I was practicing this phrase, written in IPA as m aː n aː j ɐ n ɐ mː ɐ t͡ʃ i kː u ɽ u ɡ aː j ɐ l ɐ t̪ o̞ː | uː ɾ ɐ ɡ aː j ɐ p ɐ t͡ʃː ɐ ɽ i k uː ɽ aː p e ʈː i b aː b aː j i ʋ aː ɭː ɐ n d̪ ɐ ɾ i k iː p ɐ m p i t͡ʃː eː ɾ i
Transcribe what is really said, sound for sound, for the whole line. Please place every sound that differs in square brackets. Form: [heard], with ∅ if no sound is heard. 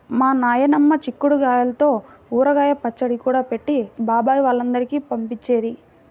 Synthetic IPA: m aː n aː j ɐ n ɐ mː ɐ t͡ʃ i kː u ɽ u ɡ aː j ɐ l ɐ t̪ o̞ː | uː ɾ ɐ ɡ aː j ɐ p ɐ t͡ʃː ɐ ɽ i k uː ɽ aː p e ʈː i b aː b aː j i ʋ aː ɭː ɐ n d̪ ɐ ɾ i k iː p ɐ m p i t͡ʃː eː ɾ i